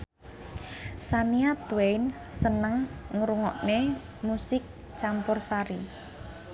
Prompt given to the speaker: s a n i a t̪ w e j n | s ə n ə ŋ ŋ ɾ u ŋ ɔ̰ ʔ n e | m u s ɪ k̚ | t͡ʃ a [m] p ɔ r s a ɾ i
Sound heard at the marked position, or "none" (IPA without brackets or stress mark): m